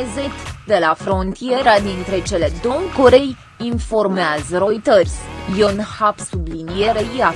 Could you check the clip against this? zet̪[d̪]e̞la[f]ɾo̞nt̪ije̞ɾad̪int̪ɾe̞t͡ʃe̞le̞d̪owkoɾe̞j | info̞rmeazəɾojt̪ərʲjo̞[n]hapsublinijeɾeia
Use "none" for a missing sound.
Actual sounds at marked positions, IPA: d̪, f, n

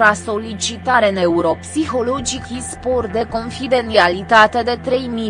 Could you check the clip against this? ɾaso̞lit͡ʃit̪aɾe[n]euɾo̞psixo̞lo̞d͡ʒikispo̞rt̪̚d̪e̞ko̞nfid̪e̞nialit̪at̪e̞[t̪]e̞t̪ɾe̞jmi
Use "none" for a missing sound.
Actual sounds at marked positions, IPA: n, d̪

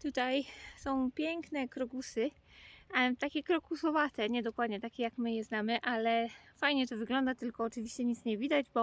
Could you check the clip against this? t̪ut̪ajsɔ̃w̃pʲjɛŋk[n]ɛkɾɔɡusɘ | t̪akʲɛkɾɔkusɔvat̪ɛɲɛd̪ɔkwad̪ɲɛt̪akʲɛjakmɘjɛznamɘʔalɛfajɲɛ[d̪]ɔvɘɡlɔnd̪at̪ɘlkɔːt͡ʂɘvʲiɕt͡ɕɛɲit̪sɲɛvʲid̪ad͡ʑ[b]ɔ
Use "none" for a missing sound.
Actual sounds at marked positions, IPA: n, t̪, b

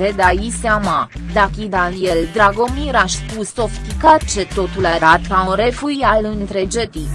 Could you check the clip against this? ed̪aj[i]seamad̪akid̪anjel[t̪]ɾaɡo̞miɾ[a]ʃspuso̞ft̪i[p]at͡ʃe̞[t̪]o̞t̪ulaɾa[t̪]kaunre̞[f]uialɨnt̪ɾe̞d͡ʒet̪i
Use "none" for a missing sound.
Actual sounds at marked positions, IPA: i, d̪, a, k, t̪, t̪, f

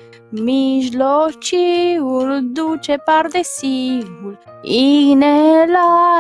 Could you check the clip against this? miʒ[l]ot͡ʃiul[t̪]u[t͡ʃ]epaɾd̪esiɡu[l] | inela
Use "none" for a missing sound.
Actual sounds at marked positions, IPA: l, d̪, t͡ʃ, l

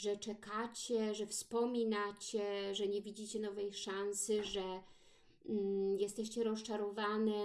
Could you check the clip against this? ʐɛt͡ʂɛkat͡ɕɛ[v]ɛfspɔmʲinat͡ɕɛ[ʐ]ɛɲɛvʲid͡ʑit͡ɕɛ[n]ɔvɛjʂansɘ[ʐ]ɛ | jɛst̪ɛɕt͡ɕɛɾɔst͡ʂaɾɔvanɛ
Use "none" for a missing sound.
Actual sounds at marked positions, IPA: ʐ, ʐ, n, ʐ

